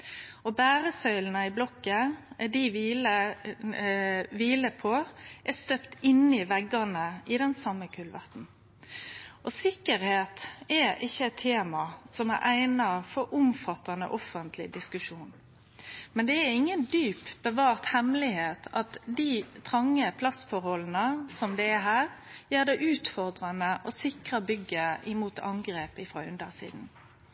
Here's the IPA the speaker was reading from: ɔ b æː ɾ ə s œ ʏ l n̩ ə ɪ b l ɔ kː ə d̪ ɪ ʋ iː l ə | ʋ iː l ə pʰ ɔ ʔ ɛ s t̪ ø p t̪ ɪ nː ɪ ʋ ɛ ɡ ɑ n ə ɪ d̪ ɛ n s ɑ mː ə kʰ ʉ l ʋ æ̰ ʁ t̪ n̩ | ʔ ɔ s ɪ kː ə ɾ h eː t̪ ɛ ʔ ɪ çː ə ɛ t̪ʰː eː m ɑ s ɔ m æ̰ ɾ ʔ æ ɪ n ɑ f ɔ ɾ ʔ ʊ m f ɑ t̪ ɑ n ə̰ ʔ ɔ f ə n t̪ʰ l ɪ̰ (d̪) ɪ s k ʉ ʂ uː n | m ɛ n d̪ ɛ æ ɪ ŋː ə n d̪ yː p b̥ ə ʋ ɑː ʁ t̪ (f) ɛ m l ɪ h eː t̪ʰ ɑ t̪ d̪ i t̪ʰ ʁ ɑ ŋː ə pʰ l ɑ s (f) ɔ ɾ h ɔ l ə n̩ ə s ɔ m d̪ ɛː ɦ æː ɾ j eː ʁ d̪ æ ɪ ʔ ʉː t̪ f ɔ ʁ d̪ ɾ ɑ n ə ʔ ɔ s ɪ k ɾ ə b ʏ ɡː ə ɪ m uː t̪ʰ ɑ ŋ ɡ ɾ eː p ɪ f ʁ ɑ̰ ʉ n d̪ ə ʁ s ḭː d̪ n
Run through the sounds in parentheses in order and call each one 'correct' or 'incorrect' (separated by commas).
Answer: correct, incorrect, correct